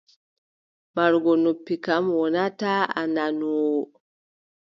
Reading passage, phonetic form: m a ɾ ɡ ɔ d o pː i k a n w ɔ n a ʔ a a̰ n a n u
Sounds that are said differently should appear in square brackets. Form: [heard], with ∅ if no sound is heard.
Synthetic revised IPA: m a ɾ ɡ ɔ [n] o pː i k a [m] w ɔ n a [t] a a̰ n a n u